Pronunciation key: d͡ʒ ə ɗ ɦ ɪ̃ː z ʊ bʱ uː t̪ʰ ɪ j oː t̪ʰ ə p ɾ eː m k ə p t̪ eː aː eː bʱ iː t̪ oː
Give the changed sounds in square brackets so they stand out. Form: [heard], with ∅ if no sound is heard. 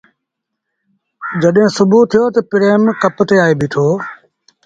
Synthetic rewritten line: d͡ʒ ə ɗ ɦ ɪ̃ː [s] ʊ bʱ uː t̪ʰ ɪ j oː [t̪] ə p ɾ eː m k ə p t̪ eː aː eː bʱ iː [t̪ʰ] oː